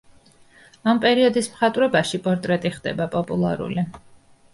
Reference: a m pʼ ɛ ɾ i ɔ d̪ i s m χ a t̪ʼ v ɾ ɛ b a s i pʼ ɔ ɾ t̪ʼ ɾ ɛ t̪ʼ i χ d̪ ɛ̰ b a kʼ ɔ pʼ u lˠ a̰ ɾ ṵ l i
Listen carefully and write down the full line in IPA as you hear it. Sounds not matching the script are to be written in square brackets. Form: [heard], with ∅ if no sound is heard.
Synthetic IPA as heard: a m pʼ ɛ ɾ i ɔ d̪ i s m χ a t̪ʼ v ɾ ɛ b a [ʃ] i pʼ ɔ ɾ t̪ʼ ɾ ɛ t̪ʼ i χ d̪ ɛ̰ b a [pʼ] ɔ pʼ u lˠ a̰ ɾ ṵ l i